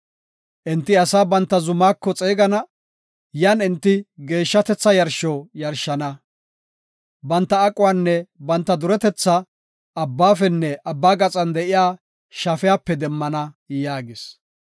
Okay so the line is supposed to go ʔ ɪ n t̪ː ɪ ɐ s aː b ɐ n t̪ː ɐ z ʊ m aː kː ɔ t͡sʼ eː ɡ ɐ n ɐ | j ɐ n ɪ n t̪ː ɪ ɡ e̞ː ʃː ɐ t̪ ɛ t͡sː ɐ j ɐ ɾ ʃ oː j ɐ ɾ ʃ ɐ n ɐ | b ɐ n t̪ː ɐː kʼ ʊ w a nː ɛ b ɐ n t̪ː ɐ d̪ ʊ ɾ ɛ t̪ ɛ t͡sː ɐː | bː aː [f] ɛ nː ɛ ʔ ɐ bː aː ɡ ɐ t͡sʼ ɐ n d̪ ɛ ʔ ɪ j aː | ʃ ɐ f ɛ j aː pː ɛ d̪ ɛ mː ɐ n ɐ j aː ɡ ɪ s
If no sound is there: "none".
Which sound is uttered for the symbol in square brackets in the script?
f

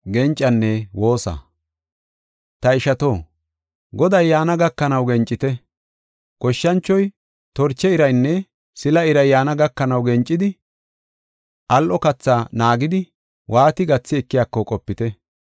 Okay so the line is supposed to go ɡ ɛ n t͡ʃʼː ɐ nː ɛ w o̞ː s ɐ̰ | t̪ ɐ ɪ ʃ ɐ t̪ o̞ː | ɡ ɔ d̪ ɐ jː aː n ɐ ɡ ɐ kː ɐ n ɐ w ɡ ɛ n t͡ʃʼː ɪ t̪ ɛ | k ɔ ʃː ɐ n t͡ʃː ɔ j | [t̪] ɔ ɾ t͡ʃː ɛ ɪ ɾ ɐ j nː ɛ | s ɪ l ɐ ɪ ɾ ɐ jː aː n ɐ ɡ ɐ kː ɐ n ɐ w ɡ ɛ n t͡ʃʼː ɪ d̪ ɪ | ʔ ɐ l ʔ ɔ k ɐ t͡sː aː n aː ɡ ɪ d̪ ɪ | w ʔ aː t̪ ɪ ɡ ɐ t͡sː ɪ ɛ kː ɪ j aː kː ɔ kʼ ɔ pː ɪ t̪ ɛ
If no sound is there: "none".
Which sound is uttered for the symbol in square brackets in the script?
t̪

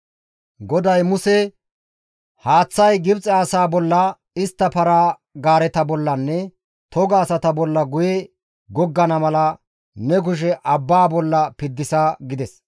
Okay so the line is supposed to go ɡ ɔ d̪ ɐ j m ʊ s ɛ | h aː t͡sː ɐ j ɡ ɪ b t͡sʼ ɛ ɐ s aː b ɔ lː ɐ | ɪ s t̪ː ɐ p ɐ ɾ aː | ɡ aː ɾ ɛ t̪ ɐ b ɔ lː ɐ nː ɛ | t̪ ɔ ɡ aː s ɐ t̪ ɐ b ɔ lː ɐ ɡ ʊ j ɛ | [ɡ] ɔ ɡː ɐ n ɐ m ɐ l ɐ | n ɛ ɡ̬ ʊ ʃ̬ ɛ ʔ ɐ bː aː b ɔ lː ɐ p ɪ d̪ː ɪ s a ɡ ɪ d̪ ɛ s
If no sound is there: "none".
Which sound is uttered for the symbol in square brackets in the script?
ɡ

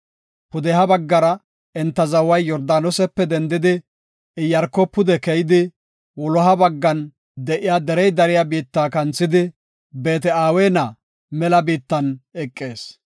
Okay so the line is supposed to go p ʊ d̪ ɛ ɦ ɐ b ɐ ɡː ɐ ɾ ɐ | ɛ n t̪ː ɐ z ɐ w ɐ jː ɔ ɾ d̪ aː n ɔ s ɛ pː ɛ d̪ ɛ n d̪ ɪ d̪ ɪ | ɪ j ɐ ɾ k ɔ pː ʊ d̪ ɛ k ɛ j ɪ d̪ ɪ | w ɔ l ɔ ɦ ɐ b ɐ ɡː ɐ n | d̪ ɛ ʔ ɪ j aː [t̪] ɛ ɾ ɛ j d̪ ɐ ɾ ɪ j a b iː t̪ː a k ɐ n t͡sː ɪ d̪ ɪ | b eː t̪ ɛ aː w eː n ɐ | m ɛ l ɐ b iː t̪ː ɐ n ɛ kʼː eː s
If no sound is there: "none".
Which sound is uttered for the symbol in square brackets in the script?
d̪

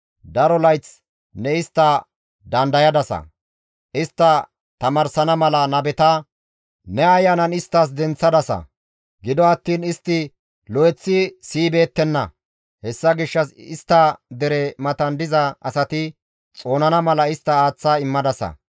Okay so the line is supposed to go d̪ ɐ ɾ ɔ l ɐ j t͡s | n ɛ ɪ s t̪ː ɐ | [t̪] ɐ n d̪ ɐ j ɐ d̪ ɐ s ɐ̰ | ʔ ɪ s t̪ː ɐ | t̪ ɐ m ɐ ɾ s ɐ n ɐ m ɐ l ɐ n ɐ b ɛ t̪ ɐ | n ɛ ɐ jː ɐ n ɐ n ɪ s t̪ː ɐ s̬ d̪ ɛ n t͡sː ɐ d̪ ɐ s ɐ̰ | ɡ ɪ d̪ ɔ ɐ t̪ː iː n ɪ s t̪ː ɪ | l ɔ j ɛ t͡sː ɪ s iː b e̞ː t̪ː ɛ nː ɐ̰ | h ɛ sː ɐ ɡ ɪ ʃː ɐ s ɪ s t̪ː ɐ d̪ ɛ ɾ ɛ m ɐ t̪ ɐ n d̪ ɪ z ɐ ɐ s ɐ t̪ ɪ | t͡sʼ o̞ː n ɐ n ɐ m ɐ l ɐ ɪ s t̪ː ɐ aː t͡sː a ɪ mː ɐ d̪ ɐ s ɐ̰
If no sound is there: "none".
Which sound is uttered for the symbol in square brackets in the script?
d̪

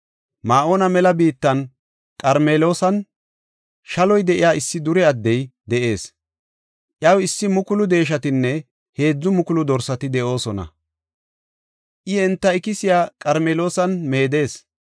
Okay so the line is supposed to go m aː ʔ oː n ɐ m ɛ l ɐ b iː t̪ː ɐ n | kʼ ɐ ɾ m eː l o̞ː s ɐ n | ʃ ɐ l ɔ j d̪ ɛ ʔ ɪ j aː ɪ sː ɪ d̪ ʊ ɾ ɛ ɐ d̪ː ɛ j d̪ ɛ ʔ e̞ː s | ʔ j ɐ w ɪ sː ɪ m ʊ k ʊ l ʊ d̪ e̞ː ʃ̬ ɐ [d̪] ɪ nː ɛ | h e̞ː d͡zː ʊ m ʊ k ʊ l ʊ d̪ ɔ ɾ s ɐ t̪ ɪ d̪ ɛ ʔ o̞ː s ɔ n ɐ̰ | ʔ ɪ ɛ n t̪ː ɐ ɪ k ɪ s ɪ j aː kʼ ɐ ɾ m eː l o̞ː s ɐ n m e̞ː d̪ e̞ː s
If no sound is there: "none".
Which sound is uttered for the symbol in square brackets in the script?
t̪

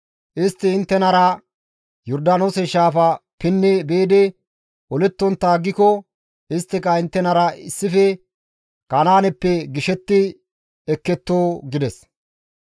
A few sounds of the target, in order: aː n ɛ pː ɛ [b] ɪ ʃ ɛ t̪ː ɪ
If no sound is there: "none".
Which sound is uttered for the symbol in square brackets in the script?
ɡ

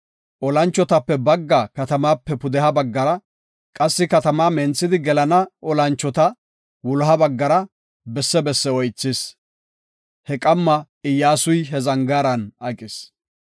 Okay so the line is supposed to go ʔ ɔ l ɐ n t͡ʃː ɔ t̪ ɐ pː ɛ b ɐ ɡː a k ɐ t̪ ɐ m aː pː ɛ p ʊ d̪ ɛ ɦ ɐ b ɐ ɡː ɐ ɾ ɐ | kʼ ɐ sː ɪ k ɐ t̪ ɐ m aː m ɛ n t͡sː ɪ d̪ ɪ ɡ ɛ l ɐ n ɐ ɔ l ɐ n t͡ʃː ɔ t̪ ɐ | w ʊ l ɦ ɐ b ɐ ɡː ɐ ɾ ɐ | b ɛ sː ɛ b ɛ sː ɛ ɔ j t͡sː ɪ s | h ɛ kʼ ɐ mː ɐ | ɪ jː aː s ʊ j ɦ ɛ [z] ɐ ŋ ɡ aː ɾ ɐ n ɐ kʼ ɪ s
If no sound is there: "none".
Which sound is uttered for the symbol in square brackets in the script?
z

